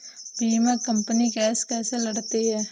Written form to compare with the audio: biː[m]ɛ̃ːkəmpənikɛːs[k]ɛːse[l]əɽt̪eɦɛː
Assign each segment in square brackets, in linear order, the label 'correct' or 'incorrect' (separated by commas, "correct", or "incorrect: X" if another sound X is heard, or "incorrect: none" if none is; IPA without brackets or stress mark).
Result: correct, correct, correct